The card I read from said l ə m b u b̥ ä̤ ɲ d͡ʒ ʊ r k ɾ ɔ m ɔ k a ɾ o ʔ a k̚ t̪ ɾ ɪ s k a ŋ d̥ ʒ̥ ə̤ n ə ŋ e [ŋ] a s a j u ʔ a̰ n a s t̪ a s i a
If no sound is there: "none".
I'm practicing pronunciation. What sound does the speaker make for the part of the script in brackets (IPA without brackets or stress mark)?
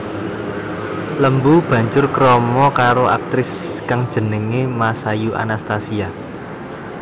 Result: m